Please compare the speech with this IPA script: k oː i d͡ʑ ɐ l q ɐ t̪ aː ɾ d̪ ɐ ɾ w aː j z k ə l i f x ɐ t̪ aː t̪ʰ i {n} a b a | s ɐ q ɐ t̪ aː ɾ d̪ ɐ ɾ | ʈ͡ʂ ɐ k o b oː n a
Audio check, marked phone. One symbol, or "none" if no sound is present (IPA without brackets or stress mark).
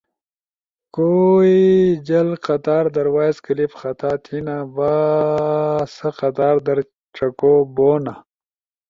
n